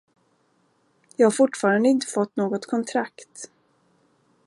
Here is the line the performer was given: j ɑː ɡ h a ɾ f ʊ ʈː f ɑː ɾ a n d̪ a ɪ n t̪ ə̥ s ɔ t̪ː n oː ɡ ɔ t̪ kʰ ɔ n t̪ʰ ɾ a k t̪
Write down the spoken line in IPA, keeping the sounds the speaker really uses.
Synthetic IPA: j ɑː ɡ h a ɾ f ʊ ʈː f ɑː ɾ a n d̪ ə ɪ n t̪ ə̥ f ɔ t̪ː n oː ɡ ɔ t̪ kʰ ɔ n t̪ʰ ɾ a k t̪